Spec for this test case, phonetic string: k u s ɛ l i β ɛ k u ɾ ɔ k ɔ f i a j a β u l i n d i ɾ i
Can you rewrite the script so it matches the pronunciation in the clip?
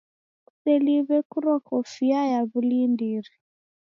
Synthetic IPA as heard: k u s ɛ l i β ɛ k u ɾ ɔ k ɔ f i a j a β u l i n d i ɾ i